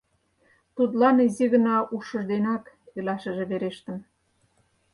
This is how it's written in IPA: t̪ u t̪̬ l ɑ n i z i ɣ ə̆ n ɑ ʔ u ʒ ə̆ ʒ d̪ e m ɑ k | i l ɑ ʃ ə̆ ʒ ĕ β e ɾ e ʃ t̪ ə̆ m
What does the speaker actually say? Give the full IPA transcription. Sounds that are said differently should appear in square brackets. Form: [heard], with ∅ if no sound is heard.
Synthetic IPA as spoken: t̪ u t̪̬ l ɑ n i z i ɣ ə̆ n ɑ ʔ u [ʃ] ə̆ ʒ d̪ e [n] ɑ k | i l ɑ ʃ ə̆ ʒ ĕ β e ɾ e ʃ t̪ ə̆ m

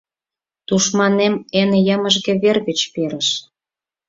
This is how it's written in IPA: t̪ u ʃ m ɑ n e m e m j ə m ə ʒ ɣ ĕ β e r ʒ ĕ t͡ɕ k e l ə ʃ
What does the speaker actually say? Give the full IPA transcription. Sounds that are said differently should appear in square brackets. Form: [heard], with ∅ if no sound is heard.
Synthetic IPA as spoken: t̪ u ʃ m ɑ n e m e [n] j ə m ə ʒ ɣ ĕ β e r [ɣ] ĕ t͡ɕ [p] e [ɾ] ə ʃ

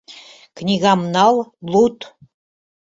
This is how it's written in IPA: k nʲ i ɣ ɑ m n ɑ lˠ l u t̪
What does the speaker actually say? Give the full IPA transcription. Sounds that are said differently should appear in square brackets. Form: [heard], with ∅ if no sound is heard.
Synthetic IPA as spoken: k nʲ i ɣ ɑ m n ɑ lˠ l u t̪

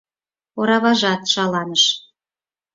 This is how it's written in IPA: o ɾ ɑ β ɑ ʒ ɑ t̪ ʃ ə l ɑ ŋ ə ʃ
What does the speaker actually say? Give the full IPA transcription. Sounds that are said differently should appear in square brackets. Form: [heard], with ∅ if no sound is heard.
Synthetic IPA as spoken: o ɾ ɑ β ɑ ʒ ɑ t̪ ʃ [ɑ] l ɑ [n] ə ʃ

